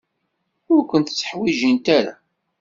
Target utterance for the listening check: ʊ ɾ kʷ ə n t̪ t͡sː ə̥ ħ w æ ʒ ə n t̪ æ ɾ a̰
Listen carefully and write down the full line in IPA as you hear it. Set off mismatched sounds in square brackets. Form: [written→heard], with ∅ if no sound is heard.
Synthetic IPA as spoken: ʊ ɾ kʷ ə n t̪ t͡sː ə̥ ħ w [æ→i] ʒ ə n t̪ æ ɾ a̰